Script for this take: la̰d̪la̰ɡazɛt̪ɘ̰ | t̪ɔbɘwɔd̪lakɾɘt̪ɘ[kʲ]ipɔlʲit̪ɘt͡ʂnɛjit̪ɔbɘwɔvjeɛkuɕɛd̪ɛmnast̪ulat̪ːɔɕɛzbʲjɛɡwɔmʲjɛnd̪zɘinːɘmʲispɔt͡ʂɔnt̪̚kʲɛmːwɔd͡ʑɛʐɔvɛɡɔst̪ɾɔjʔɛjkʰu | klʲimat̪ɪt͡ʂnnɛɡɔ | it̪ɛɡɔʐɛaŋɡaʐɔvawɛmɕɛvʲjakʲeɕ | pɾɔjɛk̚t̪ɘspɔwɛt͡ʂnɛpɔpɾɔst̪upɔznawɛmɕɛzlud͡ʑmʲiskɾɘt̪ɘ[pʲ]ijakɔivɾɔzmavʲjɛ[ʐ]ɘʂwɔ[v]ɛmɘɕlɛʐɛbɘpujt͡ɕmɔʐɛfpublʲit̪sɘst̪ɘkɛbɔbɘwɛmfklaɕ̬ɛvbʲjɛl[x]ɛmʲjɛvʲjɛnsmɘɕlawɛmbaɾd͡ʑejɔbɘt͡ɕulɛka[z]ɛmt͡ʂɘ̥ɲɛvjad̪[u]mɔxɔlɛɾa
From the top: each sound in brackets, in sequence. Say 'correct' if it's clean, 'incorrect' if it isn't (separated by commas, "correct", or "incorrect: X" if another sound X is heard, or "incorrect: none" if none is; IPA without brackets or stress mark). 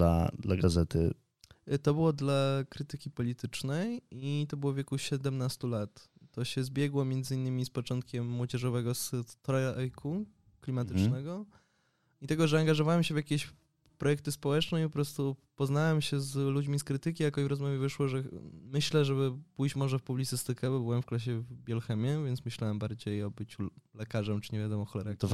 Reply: correct, incorrect: kʲ, incorrect: v, incorrect: ʐ, correct, incorrect: ʐ, incorrect: ɔ